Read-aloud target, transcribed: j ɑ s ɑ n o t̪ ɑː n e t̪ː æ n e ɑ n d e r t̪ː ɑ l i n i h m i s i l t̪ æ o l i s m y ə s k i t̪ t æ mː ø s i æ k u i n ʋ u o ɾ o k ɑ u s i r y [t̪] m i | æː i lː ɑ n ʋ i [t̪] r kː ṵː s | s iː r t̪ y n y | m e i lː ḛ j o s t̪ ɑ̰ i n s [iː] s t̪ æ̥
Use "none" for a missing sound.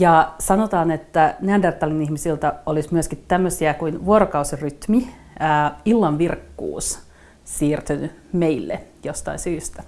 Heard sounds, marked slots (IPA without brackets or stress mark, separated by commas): t̪, none, yː